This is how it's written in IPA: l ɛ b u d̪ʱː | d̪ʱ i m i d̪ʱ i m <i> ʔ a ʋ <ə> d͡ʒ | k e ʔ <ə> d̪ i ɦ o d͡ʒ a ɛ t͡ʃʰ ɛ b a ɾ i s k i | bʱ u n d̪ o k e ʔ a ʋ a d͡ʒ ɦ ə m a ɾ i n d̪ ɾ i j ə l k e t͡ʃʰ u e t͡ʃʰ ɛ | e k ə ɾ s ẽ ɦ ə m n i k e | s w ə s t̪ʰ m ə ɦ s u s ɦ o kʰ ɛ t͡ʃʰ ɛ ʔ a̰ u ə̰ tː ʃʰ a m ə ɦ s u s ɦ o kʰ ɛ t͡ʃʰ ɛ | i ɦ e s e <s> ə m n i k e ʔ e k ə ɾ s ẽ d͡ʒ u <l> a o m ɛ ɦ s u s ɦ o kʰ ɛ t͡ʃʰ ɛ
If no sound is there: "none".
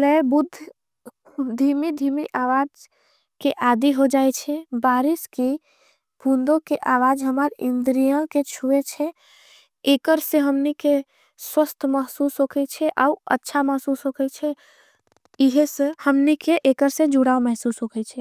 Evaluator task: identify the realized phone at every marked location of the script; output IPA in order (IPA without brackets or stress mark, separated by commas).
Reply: i, a, a, h, ɽ